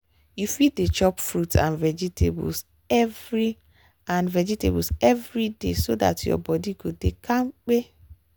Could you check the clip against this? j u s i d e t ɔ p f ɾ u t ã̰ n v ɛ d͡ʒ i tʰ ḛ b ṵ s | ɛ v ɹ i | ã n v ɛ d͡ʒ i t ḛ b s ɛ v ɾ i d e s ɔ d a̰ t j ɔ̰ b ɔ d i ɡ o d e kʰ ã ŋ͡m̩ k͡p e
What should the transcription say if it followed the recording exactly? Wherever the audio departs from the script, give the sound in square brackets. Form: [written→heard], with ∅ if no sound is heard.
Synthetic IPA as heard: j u [s→f] i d e [t→t͡ʃ] ɔ p f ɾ u t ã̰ n v ɛ d͡ʒ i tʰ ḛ b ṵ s | ɛ v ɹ i | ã n v ɛ d͡ʒ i t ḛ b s ɛ v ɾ i d e s [ɔ→o] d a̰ t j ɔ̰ b ɔ d i ɡ o d e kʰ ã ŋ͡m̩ k͡p e